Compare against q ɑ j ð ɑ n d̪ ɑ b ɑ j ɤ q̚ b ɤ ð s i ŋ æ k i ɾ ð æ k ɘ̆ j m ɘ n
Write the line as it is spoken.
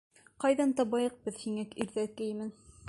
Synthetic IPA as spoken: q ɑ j ð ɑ n t̪ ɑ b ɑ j ɤ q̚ b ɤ ð h i ŋ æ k i ɾ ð æ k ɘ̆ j m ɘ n